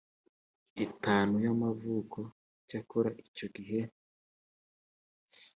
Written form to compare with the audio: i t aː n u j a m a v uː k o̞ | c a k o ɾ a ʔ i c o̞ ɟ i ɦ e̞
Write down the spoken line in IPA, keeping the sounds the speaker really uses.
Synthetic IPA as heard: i t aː n u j a m a v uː k o̞ | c a k o ɾ a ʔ i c o̞ ɡ i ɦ e̞